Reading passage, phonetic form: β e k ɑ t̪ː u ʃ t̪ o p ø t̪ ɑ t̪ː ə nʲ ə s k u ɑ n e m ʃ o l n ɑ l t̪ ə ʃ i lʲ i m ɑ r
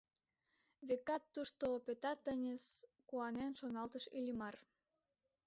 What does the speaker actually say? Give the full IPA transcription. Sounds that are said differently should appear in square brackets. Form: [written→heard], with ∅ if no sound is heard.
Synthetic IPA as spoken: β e k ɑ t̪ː u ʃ t̪ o p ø t̪ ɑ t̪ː ə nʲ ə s k u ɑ n e [m→n] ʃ o [l→∅] n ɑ l t̪ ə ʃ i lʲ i m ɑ r